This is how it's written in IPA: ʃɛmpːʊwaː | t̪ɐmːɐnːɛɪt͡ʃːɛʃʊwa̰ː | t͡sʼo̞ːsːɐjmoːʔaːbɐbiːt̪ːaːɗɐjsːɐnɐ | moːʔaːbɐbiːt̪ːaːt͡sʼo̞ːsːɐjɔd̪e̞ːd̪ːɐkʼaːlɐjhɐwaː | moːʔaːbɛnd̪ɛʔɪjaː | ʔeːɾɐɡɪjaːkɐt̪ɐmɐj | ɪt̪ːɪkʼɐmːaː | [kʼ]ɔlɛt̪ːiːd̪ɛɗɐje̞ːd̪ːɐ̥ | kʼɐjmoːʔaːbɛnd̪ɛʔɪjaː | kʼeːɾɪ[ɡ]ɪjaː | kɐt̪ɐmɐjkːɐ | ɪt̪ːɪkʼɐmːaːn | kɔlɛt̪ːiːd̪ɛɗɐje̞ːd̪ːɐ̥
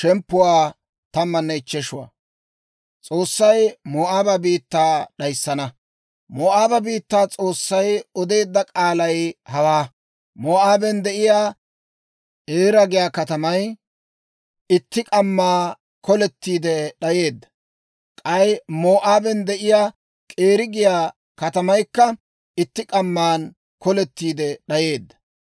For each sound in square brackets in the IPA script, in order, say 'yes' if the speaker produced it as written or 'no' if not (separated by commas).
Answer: no, yes